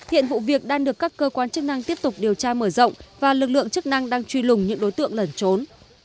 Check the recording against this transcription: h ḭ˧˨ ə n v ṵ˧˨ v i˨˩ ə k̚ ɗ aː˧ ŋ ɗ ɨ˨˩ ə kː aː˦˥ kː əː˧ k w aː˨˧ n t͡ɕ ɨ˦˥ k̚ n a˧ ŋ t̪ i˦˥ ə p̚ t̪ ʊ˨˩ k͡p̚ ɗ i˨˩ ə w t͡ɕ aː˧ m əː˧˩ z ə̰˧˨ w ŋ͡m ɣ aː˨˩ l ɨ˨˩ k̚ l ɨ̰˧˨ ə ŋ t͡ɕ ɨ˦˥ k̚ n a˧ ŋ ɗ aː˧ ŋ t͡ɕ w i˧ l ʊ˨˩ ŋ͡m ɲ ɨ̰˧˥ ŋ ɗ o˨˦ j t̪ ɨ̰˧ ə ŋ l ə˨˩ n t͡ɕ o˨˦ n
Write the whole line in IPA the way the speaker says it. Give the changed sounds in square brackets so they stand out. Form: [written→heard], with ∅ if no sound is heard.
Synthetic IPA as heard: h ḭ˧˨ ə n v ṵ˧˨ v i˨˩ ə k̚ ɗ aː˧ ŋ ɗ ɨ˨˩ ə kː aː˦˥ kː əː˧ k w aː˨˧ n t͡ɕ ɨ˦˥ k̚ n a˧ ŋ t̪ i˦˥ ə p̚ t̪ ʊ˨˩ k͡p̚ ɗ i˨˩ ə w t͡ɕ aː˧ m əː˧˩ z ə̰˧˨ w ŋ͡m [ɣ→v] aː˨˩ l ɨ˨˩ k̚ l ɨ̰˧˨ ə ŋ t͡ɕ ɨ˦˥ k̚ n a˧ ŋ ɗ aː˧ ŋ t͡ɕ w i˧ l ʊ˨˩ ŋ͡m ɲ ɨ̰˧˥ ŋ ɗ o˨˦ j t̪ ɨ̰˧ ə ŋ l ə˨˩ n t͡ɕ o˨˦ n